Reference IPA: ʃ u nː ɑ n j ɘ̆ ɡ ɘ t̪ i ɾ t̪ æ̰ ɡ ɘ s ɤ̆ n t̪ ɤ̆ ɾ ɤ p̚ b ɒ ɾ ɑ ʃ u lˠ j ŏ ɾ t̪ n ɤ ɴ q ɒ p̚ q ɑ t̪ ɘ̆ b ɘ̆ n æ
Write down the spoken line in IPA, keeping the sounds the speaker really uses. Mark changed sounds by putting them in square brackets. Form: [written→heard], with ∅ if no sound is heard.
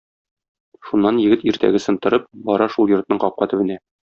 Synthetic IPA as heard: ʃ u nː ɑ n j ɘ̆ ɡ ɘ t̪ i ɾ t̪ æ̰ ɡ ɘ s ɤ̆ n t̪ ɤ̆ ɾ ɤ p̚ b ɒ ɾ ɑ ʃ u lˠ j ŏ ɾ t̪ n ɤ ɴ q ɒ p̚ q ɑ t̪ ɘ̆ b ɘ̆ n æ